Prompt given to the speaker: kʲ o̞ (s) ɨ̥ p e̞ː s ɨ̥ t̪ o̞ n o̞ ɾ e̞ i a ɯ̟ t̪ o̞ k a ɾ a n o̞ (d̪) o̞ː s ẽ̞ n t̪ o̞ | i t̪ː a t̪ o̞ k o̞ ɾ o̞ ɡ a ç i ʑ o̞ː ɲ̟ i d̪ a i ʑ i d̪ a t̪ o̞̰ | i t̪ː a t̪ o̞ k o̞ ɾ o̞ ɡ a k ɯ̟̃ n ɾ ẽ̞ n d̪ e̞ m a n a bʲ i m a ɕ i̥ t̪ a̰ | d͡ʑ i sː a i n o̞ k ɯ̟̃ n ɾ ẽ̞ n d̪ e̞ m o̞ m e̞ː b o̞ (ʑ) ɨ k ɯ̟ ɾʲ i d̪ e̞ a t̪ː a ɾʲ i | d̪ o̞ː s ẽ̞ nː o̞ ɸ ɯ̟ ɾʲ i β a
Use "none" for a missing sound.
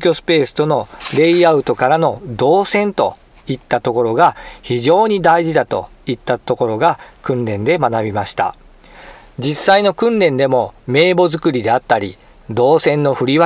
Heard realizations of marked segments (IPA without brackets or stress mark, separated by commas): s, d̪, z